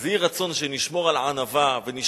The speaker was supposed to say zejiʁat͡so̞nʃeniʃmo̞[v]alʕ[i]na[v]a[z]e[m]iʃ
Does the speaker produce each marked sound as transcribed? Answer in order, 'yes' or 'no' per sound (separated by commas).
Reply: no, no, yes, no, no